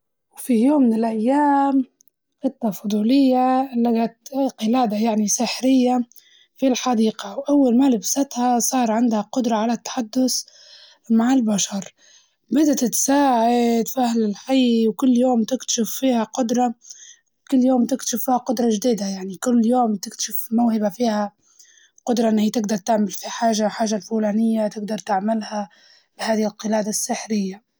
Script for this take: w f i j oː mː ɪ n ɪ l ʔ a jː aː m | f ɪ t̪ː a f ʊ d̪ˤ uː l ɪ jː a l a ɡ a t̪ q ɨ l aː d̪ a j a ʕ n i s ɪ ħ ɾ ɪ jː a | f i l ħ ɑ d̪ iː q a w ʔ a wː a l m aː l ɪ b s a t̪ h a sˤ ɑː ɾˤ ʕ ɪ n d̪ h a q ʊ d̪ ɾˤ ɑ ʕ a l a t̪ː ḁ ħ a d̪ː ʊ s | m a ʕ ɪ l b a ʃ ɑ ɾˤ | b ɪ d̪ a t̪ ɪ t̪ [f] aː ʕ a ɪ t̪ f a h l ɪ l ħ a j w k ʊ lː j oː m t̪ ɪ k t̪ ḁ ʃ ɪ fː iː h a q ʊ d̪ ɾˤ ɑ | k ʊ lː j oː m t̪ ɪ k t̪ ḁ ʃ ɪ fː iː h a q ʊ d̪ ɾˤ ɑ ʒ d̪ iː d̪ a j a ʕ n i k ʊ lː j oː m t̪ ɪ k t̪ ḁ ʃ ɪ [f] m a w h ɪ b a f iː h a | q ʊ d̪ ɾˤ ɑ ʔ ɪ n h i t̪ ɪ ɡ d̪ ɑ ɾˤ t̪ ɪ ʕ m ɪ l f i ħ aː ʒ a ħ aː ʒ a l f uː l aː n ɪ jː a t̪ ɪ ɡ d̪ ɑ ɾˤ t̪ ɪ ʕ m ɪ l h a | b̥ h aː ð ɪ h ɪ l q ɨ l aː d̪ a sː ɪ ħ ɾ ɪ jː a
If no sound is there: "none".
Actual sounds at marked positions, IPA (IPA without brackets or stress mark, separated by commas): s, f